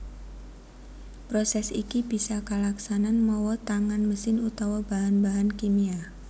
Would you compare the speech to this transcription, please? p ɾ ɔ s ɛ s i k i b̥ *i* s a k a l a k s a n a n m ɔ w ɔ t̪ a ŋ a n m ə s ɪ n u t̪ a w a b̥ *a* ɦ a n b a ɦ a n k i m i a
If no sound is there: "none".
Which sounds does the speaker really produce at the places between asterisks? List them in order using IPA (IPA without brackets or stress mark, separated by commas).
i, a